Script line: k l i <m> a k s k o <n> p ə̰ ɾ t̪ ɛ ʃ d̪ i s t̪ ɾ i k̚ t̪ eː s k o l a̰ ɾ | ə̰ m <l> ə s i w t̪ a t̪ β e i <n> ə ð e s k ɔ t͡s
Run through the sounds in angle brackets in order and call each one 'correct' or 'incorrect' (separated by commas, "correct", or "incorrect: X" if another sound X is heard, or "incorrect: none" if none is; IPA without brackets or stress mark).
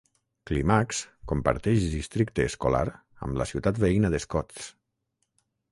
correct, incorrect: m, correct, correct